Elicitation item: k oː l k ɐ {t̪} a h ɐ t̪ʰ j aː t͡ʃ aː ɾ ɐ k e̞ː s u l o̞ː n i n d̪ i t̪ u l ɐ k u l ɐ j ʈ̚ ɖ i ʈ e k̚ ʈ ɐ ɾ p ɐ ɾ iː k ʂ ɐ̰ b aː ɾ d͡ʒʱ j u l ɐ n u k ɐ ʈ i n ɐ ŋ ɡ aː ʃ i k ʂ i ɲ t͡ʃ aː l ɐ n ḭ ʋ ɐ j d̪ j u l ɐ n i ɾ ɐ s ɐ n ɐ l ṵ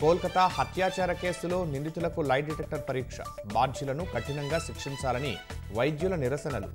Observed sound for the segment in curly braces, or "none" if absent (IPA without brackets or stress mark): t̪